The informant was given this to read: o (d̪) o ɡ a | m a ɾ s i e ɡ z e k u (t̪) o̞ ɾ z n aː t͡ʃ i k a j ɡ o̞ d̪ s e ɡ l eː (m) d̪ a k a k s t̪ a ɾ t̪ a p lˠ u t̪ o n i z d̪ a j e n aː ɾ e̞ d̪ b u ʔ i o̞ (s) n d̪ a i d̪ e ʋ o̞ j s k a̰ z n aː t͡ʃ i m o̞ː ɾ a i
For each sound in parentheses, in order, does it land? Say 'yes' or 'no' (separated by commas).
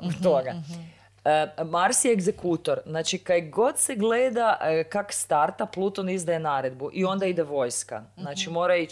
no, yes, no, no